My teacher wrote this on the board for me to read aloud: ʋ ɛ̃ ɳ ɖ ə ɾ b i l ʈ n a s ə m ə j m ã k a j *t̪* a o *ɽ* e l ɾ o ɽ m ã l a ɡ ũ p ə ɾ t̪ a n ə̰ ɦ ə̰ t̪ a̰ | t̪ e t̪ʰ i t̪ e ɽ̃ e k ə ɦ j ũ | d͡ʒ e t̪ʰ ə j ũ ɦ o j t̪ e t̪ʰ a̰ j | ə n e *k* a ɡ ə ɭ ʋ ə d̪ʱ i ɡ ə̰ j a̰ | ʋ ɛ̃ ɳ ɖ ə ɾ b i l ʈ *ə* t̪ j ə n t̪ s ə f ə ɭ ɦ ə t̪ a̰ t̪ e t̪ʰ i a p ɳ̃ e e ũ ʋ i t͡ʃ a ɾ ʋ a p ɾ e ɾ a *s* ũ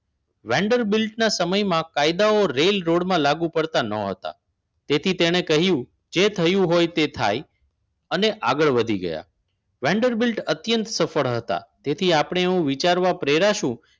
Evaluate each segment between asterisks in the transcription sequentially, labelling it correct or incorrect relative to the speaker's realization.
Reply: incorrect, incorrect, incorrect, correct, incorrect

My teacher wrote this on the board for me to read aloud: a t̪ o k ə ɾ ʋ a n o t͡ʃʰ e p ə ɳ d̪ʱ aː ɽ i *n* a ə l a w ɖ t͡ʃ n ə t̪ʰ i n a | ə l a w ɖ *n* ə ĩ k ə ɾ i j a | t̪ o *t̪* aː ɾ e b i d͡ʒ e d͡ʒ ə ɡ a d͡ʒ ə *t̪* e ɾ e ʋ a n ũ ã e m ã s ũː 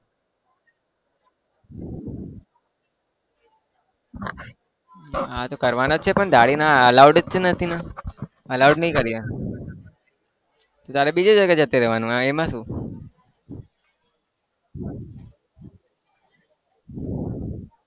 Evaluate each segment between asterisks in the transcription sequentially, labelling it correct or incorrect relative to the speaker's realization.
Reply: correct, correct, correct, correct

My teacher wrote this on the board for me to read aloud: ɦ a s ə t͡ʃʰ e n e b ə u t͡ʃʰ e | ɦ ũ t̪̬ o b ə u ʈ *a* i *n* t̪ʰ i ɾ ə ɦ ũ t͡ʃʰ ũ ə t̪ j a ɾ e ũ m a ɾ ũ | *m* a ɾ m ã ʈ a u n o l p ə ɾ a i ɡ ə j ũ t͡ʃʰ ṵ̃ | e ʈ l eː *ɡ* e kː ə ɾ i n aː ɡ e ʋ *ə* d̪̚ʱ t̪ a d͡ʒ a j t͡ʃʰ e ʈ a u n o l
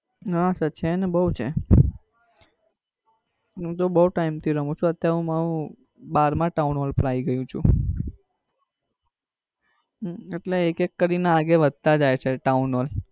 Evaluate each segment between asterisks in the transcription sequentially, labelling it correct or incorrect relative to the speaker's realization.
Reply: correct, incorrect, incorrect, incorrect, correct

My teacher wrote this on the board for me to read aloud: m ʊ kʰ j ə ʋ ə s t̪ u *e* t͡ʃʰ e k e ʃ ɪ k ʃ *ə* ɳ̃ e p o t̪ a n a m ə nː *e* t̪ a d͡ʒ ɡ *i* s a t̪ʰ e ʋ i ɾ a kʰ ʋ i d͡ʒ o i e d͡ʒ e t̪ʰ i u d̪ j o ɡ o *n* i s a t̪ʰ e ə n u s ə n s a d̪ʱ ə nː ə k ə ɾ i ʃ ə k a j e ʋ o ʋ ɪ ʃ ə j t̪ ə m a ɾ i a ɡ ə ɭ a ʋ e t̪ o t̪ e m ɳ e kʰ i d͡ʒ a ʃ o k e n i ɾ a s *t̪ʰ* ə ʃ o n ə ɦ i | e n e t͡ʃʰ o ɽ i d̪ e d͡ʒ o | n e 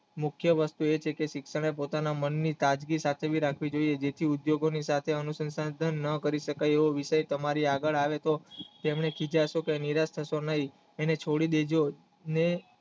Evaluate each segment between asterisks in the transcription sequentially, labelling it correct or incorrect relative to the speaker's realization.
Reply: correct, correct, incorrect, correct, correct, correct

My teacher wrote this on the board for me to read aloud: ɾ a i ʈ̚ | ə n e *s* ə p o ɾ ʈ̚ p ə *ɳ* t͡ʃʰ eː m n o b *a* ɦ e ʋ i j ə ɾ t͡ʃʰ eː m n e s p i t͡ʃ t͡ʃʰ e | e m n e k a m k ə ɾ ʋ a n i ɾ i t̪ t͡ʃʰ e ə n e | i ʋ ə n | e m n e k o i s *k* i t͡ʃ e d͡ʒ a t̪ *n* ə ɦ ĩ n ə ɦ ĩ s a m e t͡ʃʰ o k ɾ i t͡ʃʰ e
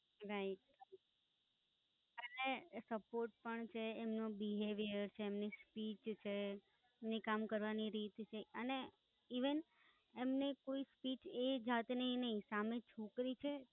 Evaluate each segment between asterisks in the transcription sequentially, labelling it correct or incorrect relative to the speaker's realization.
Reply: correct, correct, incorrect, incorrect, correct

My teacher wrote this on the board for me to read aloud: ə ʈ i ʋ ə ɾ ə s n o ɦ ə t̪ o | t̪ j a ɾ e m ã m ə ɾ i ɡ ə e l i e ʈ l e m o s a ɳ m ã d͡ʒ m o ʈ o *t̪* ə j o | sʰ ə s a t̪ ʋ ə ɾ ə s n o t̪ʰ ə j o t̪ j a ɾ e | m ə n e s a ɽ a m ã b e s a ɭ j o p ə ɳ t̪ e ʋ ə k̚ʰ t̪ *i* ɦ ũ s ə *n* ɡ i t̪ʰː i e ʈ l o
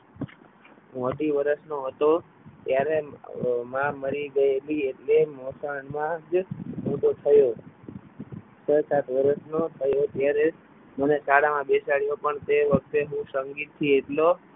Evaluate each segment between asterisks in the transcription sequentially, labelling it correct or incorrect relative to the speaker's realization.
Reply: incorrect, incorrect, incorrect

